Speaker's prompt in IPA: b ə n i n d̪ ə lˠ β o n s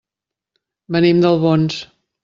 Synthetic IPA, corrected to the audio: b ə n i m d̪ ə lˠ β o n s